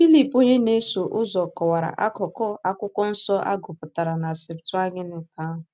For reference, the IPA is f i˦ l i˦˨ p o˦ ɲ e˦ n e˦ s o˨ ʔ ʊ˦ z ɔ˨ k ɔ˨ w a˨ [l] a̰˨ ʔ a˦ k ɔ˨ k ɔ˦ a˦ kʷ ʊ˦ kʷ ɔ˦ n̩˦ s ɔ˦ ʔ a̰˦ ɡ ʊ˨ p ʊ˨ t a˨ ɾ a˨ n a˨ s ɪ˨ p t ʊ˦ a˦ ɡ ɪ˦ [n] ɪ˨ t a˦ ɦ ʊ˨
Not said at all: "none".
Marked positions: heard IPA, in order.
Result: ɾ, n

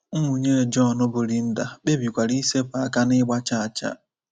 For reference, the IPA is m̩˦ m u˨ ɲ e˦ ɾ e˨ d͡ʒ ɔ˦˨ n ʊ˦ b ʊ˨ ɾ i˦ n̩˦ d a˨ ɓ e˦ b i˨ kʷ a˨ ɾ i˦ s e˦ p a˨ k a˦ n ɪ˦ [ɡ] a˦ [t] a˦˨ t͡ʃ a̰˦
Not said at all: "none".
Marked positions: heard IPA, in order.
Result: ɡ͡b, t͡ʃ

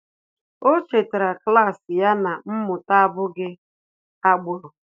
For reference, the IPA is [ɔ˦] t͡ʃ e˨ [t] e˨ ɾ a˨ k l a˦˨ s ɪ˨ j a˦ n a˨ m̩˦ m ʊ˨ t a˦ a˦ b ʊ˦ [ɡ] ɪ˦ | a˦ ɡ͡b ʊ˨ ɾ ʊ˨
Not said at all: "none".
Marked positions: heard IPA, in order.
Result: o˦, t, ɡ

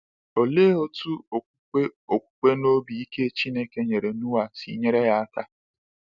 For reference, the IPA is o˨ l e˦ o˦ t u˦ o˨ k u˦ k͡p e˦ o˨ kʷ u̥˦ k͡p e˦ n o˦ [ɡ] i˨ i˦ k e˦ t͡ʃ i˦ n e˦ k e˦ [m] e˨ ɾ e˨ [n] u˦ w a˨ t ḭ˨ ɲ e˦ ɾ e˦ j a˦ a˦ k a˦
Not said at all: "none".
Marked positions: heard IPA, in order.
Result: b, ɲ, n

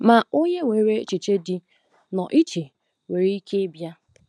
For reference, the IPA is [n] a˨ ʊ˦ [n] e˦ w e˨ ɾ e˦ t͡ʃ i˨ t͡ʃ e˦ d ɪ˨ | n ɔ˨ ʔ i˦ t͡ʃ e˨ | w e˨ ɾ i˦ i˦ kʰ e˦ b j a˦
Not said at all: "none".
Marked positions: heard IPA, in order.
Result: m, ɲ

